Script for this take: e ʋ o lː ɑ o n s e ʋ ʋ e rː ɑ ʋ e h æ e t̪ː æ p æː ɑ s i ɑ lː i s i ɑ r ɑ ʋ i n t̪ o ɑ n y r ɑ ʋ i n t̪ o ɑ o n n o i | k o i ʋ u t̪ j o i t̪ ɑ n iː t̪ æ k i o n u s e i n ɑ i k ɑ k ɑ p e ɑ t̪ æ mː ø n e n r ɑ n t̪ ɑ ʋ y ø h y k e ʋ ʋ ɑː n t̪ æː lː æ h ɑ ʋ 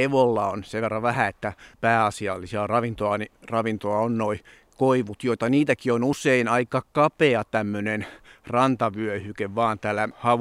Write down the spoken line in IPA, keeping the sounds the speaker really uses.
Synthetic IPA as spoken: e ʋ o lː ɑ o n s e ʋ ʋ e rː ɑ ʋ æ h æ e t̪ː æ p æː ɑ s i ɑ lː i s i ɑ r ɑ ʋ i n t̪ o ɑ n i r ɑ ʋ i n t̪ o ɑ o n n o i | k o i ʋ u t̪ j o i t̪ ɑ n iː t̪ æ k i o n u s e i n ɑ i k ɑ k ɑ p e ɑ t̪ æ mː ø n e n r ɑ n t̪ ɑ ʋ y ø h y k e ʋ ʋ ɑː n t̪ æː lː æ h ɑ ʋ